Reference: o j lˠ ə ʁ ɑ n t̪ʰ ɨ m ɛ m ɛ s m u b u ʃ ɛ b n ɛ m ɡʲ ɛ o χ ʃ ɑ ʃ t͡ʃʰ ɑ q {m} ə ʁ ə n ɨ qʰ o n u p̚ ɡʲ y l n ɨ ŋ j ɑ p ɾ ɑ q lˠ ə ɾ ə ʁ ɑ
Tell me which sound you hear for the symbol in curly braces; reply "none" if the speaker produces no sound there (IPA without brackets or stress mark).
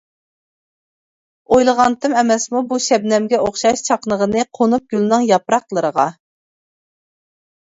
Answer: n